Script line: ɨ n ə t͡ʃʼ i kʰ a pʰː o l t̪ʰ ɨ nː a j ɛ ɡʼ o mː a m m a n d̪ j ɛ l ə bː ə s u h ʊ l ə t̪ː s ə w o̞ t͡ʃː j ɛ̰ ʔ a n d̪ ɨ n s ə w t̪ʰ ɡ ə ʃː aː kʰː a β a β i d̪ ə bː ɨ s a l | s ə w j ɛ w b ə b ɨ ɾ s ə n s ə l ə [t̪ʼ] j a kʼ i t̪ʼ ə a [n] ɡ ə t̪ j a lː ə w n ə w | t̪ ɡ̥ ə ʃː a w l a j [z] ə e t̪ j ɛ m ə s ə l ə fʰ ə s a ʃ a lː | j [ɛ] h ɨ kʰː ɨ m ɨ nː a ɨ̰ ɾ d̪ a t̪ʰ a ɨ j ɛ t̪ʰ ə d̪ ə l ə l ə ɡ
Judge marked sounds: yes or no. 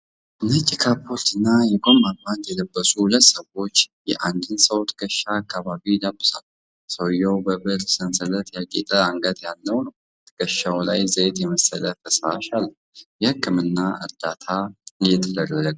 no, no, yes, yes

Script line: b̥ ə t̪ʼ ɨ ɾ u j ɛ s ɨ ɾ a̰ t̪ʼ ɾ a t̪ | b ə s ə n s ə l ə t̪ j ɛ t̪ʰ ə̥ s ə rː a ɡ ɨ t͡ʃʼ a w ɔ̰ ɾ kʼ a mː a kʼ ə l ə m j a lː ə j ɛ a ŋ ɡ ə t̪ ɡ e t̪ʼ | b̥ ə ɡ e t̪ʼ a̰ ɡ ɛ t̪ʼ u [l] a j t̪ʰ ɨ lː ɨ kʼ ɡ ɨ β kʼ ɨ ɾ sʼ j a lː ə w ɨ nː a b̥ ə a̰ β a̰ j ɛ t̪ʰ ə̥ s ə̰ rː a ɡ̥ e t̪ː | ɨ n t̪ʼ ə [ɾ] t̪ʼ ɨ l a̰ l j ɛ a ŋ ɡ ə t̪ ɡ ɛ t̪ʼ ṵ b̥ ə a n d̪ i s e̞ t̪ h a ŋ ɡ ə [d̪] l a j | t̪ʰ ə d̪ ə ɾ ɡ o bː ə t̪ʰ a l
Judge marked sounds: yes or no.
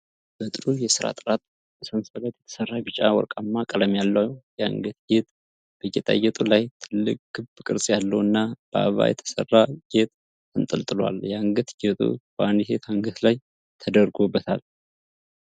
yes, no, no

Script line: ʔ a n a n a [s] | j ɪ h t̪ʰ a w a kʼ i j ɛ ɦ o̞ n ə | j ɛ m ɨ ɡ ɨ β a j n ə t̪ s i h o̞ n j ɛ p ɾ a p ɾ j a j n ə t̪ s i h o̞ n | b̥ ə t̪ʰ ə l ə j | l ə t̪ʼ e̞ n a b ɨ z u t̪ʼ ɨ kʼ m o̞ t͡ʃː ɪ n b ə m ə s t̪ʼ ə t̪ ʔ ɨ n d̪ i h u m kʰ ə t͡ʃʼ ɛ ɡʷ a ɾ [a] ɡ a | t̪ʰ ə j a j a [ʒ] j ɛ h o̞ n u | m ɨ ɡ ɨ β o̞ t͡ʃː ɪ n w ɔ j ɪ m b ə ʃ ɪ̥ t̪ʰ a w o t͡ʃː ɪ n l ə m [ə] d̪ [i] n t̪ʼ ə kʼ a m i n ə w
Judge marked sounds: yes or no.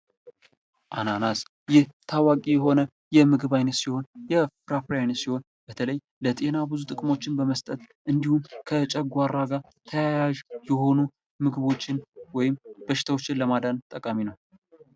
yes, yes, yes, no, no

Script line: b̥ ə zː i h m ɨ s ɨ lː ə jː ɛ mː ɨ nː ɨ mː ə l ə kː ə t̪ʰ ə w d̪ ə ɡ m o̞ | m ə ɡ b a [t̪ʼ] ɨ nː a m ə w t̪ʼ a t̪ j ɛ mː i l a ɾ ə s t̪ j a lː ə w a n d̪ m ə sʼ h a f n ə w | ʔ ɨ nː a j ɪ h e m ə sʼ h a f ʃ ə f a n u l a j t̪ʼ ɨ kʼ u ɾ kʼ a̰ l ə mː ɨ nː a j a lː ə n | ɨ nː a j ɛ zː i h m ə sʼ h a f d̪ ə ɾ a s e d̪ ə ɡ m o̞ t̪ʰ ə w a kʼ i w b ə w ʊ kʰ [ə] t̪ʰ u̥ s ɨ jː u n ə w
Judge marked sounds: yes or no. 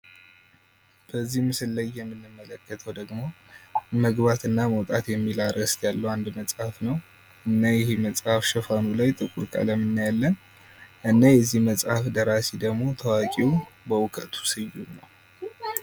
no, yes

